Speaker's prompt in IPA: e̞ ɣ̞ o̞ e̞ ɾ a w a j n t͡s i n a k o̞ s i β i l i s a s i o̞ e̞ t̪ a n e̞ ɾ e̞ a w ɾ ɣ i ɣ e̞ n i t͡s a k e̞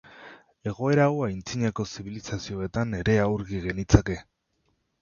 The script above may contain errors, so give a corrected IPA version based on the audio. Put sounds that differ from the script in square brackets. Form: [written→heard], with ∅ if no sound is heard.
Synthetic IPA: e̞ ɣ̞ o̞ e̞ ɾ a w a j n t͡s i [n→ɲ] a k o̞ s i β i l i s a s i o̞ e̞ t̪ a n e̞ ɾ e̞ a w ɾ ɣ i ɣ e̞ n i t͡s a k e̞